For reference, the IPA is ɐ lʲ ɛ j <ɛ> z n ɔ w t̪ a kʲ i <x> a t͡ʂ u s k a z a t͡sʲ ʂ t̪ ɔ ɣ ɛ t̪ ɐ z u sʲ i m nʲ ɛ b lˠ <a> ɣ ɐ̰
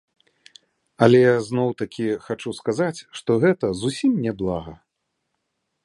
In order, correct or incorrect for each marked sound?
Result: incorrect: a, correct, correct

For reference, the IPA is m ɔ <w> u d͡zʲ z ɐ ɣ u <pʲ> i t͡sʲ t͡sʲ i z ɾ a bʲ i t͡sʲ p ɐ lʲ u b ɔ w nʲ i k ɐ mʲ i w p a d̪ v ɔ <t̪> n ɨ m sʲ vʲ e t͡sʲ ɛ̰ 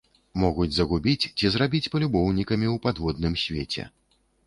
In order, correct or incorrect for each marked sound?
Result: incorrect: ɣ, incorrect: bʲ, incorrect: d̪

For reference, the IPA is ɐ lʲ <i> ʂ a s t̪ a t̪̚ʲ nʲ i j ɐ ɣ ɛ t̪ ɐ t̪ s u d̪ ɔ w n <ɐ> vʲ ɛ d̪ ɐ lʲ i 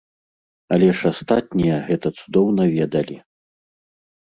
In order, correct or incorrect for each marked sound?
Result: incorrect: ɛ, correct

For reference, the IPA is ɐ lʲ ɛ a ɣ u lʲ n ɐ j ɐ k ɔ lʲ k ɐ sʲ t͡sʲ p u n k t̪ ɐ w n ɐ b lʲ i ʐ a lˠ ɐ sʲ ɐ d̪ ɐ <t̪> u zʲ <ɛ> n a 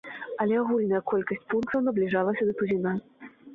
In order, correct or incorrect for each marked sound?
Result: correct, incorrect: i

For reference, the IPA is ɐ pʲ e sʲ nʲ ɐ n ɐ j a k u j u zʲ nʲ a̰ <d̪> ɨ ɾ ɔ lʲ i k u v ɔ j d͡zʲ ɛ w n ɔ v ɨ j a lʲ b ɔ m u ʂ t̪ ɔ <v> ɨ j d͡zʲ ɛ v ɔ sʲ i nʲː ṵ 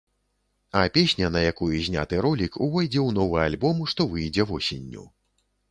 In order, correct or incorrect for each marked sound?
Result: incorrect: t̪, correct

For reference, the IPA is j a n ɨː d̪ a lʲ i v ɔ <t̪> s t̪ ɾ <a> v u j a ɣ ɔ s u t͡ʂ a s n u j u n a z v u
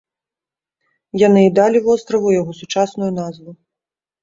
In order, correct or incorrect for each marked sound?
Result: incorrect: none, incorrect: ɐ

